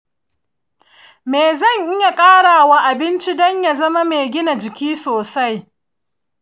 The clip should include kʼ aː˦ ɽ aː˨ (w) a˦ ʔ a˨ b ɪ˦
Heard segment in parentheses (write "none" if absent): w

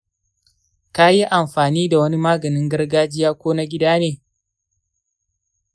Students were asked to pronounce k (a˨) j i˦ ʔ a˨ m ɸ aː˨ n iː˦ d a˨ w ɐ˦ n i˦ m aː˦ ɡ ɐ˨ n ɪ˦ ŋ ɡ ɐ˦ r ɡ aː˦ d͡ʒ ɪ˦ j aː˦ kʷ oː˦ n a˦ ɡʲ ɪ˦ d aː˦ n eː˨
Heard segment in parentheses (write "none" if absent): a˦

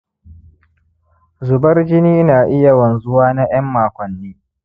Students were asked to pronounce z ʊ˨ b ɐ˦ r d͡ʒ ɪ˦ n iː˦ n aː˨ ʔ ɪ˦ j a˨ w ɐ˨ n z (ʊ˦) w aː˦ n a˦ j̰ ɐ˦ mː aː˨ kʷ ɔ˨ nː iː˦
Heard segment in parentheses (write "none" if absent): ʊ˦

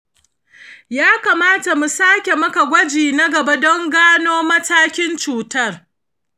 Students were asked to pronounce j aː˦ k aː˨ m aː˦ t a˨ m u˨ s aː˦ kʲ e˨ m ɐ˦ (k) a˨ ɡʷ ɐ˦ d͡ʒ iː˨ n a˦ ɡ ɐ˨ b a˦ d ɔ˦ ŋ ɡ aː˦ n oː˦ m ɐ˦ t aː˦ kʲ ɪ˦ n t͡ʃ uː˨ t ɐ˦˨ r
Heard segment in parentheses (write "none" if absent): k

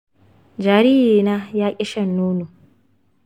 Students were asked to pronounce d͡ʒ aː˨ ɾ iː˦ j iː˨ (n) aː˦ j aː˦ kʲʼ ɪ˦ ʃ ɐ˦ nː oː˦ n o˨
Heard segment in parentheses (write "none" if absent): n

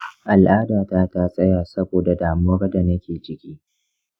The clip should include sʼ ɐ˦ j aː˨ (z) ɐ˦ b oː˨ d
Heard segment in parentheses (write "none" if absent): s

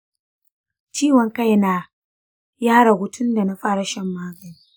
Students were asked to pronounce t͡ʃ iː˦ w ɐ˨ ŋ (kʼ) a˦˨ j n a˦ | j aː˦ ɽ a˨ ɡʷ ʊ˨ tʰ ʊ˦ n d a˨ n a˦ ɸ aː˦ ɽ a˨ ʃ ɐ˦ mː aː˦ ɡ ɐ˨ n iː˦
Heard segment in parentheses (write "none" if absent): k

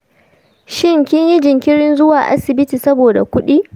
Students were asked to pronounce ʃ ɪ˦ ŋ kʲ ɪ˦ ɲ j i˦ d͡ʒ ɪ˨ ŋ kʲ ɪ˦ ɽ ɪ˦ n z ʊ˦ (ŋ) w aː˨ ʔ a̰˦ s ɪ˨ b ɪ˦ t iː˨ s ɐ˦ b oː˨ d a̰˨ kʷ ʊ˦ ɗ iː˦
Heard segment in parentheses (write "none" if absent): none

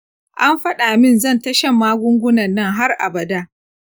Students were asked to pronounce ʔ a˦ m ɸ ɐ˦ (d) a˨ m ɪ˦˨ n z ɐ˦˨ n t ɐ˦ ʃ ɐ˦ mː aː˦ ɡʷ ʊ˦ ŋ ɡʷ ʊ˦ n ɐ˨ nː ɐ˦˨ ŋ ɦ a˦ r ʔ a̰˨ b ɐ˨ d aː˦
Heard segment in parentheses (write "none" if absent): ɗ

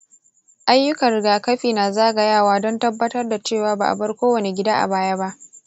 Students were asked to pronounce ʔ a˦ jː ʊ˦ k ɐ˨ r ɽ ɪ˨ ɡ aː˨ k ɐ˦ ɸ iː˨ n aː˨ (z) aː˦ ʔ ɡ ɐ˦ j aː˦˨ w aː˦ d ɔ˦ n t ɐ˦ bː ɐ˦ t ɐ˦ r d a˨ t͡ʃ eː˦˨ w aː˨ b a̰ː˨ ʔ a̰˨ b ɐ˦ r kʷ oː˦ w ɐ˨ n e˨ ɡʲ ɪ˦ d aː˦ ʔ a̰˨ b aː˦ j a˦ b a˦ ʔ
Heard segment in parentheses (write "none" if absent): z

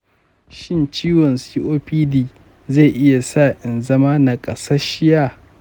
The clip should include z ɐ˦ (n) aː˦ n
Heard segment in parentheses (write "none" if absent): m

